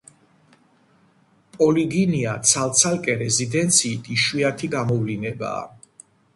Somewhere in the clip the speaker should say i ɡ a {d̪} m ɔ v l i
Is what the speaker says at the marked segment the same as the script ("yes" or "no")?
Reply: no